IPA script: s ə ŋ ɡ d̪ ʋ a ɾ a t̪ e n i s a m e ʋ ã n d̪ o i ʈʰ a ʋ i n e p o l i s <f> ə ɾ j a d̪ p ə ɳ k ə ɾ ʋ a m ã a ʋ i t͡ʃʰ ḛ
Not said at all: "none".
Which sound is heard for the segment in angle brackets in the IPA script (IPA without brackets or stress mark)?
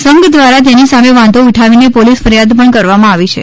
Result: f